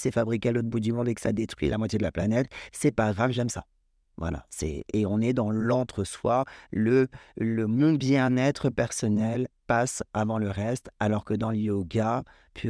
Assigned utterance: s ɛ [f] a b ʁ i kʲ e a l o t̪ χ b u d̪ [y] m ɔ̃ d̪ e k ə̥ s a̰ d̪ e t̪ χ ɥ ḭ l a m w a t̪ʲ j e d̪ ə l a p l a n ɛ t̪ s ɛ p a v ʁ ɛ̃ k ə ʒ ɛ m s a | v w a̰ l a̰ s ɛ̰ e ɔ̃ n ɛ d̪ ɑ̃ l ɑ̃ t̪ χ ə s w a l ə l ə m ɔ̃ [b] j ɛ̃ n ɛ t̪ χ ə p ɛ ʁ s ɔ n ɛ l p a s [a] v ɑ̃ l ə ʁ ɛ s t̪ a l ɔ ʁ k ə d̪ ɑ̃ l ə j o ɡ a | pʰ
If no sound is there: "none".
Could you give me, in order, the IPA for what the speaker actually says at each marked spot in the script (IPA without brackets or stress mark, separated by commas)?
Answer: f, y, b, a